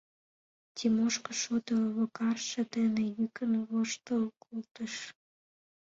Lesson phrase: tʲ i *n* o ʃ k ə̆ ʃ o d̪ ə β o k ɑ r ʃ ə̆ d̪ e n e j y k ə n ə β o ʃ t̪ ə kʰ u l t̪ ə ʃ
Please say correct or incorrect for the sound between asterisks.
incorrect